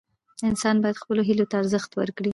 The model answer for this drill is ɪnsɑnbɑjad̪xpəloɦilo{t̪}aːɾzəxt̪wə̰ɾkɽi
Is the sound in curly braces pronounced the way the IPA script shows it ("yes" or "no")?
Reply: yes